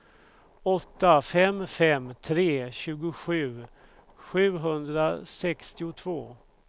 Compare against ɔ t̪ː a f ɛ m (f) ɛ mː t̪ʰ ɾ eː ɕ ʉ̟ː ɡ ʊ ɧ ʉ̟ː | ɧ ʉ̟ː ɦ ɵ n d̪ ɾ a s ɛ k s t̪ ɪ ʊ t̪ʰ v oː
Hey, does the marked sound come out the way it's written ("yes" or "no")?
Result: yes